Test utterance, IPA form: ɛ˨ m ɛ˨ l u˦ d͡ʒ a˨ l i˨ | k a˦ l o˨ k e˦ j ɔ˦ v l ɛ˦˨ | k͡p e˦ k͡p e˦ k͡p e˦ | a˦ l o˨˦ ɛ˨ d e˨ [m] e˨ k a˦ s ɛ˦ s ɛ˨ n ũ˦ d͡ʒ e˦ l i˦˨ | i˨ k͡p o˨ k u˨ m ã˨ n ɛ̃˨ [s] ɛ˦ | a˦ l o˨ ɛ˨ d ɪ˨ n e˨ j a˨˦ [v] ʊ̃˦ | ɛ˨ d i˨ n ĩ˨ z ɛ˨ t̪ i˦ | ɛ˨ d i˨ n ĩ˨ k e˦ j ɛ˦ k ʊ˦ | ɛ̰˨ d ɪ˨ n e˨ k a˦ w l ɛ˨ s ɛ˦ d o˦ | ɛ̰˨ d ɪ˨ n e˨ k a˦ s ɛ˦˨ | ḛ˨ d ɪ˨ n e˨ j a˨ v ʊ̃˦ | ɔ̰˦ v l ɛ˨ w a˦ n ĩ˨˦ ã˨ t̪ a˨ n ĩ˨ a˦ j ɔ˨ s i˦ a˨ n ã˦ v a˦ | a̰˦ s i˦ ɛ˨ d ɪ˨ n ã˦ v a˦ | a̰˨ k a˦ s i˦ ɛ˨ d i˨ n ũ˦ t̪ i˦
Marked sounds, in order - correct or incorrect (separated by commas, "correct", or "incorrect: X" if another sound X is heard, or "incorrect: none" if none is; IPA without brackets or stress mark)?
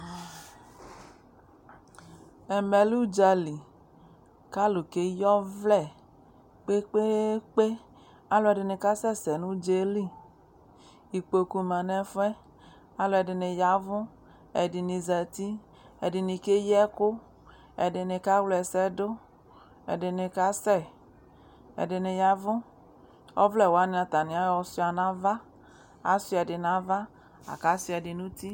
incorrect: n, incorrect: f, correct